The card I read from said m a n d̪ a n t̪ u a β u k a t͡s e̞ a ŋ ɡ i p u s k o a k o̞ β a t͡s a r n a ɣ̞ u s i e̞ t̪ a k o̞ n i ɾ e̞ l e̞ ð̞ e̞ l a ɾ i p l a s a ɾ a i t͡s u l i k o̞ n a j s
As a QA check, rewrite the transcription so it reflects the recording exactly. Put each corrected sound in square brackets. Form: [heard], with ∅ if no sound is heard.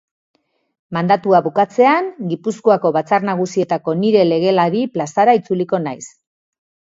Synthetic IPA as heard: m a n d̪ a [∅] t̪ u a β u k a t͡s e̞ a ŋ ɡ i p u s k o a k o̞ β a t͡s a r n a ɣ̞ u s i e̞ t̪ a k o̞ n i ɾ e̞ l e̞ [ɣ̞] e̞ l a ɾ i p l a s a ɾ a i t͡s u l i k o̞ n a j s